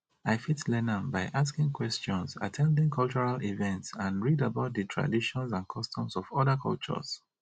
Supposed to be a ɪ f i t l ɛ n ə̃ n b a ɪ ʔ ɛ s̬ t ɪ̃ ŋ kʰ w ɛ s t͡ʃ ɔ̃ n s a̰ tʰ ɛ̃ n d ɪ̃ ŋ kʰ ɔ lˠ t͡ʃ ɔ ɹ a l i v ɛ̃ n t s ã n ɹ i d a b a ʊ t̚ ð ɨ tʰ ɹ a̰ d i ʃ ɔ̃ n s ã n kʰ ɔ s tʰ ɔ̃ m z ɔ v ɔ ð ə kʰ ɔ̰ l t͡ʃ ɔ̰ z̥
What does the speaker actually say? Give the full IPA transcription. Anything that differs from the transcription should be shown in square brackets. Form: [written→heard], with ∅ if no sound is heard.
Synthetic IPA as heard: a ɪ f i t l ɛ n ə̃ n b a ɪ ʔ [ɛ→a] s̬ [t→k] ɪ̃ ŋ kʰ w ɛ s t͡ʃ ɔ̃ n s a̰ tʰ ɛ̃ n d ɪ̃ ŋ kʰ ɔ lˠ t͡ʃ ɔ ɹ a l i v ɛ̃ n t s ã n ɹ i d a b a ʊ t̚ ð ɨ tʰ ɹ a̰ d i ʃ ɔ̃ n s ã n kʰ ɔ s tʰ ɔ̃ m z ɔ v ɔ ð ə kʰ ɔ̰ l t͡ʃ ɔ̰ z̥